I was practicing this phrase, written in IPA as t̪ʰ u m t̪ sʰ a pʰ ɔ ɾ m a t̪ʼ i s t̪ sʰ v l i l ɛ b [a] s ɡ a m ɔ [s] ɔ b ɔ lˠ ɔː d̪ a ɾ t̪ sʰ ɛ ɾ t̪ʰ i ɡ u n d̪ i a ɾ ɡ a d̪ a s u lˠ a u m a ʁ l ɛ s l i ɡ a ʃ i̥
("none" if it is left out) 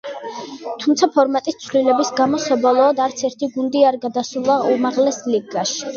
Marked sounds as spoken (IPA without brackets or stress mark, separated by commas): i, s